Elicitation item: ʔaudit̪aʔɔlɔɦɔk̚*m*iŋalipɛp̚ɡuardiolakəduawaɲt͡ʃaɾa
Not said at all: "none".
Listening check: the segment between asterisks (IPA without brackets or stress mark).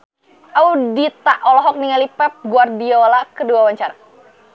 n